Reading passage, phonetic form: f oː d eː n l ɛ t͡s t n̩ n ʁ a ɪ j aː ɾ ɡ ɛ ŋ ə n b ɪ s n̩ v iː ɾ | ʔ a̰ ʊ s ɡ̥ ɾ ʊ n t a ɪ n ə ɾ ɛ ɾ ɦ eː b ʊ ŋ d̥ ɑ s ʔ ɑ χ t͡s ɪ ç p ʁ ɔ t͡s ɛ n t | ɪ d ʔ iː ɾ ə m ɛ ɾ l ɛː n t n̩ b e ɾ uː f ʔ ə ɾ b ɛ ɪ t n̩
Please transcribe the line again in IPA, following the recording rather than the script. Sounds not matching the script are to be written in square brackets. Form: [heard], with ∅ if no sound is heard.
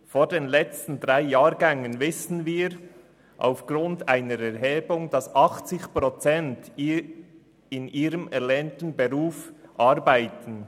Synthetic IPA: f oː d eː n l ɛ t͡s t n̩ [d] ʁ a ɪ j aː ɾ ɡ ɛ ŋ ə n [v] ɪ s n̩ v iː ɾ | ʔ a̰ ʊ [f] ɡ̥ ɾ ʊ n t a ɪ n ə ɾ ɛ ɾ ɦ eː b ʊ ŋ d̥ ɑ s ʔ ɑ χ t͡s ɪ ç p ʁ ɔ t͡s ɛ n t | ɪ [n] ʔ iː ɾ ə m ɛ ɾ l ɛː n t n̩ b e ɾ uː f ʔ [ɑ] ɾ b [a] ɪ t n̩